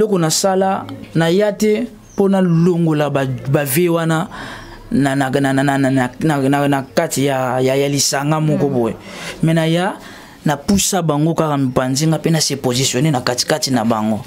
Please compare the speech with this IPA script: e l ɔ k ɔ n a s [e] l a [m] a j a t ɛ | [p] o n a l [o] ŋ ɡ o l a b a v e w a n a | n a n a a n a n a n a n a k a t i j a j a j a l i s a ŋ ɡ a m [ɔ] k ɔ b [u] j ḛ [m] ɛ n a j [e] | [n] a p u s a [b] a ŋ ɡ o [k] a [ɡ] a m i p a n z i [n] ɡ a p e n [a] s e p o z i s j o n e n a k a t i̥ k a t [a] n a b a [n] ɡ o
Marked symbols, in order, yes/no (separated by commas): no, no, yes, yes, yes, no, yes, no, yes, yes, yes, no, no, yes, no, no